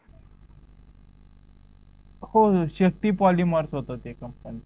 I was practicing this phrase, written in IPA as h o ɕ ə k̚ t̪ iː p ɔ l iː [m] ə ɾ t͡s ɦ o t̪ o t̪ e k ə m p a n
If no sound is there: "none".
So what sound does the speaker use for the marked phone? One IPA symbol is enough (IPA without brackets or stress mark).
m